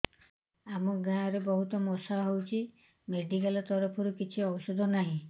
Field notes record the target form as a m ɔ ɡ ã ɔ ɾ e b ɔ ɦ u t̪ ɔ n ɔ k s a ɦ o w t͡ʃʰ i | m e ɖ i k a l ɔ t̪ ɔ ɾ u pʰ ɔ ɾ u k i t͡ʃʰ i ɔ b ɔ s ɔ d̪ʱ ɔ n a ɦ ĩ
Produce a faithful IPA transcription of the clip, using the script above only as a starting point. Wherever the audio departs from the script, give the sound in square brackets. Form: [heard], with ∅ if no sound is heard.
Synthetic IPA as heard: a m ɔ ɡ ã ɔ ɾ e b ɔ ɦ u t̪ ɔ [m] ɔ [∅] s a ɦ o w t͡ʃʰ i | m e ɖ i k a l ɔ t̪ ɔ ɾ [ɔ] pʰ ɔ ɾ u k i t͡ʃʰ i ɔ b ɔ s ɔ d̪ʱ ɔ n a ɦ ĩ